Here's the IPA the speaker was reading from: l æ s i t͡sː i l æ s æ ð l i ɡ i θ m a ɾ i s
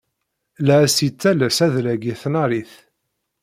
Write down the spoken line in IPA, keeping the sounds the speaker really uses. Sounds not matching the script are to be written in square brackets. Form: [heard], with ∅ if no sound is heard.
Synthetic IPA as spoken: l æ s i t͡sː [æ] l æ s æ ð l [æ] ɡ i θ [n] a ɾ i [θ]